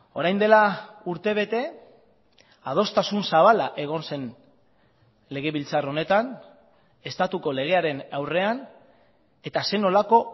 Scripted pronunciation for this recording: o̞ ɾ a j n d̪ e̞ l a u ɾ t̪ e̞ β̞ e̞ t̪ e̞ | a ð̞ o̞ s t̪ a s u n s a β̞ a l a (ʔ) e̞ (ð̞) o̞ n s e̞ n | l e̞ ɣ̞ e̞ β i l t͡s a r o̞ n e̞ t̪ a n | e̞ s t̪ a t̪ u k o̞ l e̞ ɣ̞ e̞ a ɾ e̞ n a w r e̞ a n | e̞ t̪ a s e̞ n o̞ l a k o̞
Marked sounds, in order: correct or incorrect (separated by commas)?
correct, incorrect